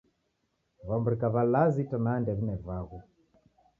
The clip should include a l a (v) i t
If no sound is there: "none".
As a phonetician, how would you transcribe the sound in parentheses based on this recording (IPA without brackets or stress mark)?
z